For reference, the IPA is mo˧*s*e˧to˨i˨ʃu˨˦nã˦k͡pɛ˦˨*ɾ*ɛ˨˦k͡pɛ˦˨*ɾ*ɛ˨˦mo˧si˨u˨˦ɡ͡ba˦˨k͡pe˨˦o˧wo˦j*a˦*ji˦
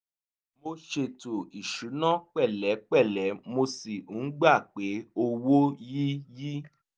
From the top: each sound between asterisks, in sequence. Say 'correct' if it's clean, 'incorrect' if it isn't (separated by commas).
incorrect, incorrect, incorrect, incorrect